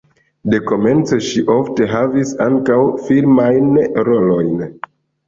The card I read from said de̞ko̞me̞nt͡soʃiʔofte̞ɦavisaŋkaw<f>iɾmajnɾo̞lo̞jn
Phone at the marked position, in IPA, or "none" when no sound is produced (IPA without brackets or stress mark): f